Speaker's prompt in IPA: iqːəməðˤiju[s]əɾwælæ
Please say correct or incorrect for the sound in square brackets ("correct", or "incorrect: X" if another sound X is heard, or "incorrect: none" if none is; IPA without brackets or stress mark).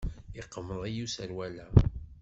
correct